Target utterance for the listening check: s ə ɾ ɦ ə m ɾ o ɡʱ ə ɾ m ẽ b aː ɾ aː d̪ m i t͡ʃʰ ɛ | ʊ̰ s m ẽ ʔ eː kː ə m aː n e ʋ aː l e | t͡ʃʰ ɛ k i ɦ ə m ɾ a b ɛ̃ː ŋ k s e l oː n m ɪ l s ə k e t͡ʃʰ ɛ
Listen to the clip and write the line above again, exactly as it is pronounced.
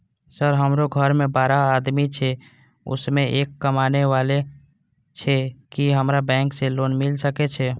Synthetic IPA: s ə ɾ ɦ ə m ɾ o ɡʱ ə ɾ m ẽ b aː ɾ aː d̪ m i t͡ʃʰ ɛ | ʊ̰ s m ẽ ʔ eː kː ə m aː n e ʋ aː l e | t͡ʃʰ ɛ k i ɦ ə m ɾ a b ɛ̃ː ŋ k s e l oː n m ɪ l s ə k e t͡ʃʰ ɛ

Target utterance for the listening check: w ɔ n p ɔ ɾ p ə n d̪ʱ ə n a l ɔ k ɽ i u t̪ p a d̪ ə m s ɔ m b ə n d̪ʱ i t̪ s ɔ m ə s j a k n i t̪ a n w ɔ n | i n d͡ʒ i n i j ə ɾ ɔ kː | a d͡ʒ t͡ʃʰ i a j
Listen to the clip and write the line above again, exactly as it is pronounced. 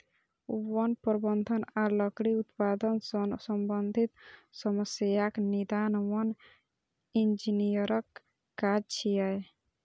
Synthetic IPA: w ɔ n p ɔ ɾ b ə n d̪ʱ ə n a l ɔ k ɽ i u t̪ p a d̪ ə n s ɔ m b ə n d̪ʱ i t̪ s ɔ m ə s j a k n i d̪ a n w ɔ n | i n d͡ʒ i n i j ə ɾ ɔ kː | a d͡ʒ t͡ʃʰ i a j

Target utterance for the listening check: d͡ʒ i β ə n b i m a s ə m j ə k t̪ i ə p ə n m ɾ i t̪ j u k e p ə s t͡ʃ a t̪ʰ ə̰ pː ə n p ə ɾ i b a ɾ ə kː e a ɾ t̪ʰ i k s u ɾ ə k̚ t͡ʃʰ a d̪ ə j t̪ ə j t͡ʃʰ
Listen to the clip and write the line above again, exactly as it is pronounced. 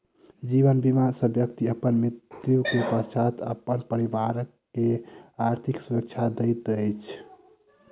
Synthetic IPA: d͡ʒ i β ə n b i m a s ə b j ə k t̪ i ə p ə n m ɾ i t̪ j u k e p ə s t͡ʃ a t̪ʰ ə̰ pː ə n p ə ɾ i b a ɾ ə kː e a ɾ t̪ʰ i k s u ɾ ə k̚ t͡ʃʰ a d̪ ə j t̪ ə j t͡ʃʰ

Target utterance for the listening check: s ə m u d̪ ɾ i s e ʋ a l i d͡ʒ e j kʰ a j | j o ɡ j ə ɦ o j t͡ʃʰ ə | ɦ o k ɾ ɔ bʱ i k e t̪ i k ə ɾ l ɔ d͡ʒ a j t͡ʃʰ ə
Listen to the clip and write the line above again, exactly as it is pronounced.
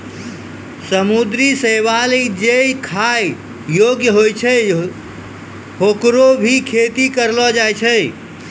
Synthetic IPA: s ə m u d̪ ɾ i s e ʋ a l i d͡ʒ e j kʰ a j | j o ɡ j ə ɦ o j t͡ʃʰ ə | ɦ o k ɾ o bʱ i kʰ e t̪ i k ə ɾ l ɔ d͡ʒ a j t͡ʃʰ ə

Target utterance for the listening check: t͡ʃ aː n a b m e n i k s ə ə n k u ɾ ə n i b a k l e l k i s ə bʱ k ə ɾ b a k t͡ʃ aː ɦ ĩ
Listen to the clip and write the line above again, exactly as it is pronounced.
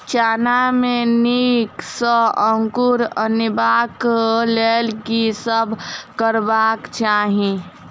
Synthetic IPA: t͡ʃ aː n a m e n i k s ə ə ŋ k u ɾ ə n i b a k l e l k i s ə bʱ k ə ɾ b a k t͡ʃ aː ɦ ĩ

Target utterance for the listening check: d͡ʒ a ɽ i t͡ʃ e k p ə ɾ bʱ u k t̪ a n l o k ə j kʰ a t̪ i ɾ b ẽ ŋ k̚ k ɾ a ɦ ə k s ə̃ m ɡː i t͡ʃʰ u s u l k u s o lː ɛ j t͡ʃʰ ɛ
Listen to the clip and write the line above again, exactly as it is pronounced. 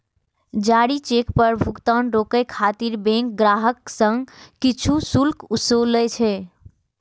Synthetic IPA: d͡ʒ a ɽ i t͡ʃ e k p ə ɾ bʱ u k t̪ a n ɾ o k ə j kʰ a t̪ i ɾ b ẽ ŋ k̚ ɡ ɾ a ɦ ə k s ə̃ ŋ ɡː i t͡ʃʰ u s u l k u s o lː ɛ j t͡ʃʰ ɛ

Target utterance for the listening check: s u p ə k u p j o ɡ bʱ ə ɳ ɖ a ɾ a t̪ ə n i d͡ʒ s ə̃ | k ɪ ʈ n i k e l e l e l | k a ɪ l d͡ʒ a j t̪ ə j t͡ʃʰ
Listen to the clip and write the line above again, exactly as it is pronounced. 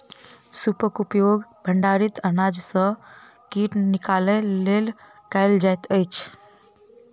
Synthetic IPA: s u p ə k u p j o ɡ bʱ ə ɳ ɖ a ɾ i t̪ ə n a d͡ʒ s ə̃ | k i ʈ n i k a l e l e l | k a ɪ l d͡ʒ a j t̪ ə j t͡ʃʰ

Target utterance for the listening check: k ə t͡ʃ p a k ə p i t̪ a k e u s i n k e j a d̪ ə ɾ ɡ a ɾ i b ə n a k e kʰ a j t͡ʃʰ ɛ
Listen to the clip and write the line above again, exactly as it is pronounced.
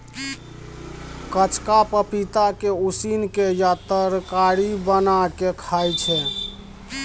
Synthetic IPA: k ə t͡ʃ k a p ə p i t̪ a k e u s i n k e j a t̪ ə ɾ k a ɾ i b ə n a k e kʰ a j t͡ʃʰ ɛ

